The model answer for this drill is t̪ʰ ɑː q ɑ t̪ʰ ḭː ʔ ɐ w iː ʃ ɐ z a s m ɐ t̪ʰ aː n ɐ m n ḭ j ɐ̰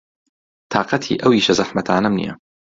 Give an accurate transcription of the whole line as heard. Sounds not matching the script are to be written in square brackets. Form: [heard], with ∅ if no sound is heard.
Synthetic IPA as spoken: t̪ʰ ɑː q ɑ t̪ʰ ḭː ʔ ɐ w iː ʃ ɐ z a [ħ] m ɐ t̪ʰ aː n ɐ m n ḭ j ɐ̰